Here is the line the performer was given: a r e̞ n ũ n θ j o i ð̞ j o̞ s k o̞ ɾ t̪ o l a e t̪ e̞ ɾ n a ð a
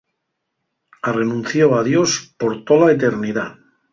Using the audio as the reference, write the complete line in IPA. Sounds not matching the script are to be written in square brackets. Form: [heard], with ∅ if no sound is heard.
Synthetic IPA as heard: a r e̞ n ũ n θ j o [a] ð̞ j o̞ s [p] o̞ ɾ t̪ o l a e t̪ e̞ ɾ n [i] ð a